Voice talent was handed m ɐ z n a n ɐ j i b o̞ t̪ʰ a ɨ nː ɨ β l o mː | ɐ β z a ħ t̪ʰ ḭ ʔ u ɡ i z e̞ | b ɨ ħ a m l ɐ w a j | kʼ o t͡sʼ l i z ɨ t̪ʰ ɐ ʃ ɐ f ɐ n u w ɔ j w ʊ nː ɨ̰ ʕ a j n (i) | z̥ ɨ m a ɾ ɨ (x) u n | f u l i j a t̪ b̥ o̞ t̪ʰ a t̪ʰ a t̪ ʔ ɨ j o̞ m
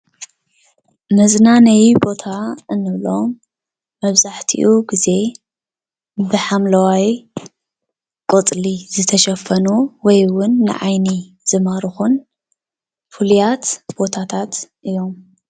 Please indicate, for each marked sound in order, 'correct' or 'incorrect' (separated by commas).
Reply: correct, correct